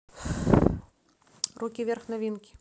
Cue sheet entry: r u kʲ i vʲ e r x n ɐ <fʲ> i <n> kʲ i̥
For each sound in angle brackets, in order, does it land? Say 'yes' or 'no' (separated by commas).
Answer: no, yes